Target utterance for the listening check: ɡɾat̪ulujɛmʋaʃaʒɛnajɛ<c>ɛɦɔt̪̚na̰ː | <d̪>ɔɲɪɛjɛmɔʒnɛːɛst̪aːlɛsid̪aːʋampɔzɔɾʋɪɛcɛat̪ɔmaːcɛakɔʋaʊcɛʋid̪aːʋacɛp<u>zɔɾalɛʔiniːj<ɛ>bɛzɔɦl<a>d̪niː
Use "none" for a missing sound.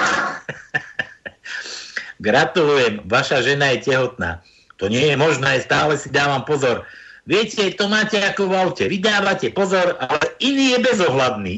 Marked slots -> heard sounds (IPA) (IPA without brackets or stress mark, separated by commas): c, t̪, ɔ, ɛ, a